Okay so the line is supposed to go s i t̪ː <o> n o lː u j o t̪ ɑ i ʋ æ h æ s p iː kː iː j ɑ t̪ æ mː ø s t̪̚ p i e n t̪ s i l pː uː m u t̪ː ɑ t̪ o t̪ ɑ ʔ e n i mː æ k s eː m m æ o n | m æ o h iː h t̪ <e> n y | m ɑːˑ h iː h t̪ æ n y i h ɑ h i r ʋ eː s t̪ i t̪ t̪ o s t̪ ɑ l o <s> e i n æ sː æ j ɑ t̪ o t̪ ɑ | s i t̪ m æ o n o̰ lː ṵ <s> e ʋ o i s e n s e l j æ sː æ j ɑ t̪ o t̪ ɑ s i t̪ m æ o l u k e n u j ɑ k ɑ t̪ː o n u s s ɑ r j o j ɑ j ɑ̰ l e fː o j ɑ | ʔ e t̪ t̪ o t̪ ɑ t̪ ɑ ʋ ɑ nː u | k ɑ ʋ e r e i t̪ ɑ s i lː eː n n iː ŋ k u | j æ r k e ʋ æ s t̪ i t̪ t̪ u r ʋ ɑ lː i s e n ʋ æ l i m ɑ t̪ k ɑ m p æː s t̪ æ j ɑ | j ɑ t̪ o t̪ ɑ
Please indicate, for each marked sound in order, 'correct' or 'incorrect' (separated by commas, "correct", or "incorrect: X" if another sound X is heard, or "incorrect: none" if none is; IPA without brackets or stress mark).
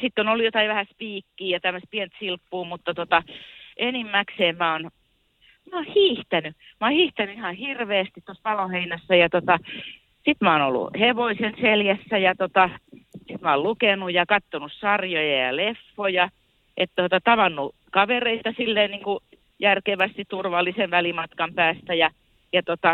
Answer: correct, incorrect: æ, incorrect: h, incorrect: h